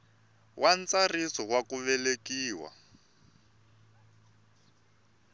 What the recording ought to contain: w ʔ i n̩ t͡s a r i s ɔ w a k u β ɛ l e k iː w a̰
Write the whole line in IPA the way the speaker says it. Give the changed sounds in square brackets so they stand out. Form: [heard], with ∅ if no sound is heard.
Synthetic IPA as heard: w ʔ [a] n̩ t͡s a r i s ɔ w a k u β ɛ l e k iː w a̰